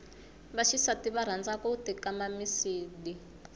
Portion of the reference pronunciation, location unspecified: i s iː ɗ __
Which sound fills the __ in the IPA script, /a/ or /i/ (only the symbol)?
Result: i